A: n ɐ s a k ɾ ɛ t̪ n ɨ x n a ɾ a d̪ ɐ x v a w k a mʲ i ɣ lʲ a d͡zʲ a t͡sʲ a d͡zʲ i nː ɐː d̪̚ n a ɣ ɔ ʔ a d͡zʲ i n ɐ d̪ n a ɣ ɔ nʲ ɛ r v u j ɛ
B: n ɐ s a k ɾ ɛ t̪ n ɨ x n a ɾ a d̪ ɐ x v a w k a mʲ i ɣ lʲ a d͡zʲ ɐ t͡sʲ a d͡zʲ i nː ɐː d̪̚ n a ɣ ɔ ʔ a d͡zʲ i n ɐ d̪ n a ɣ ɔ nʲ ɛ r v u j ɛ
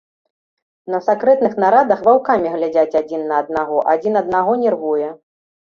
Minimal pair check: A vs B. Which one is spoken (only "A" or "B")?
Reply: A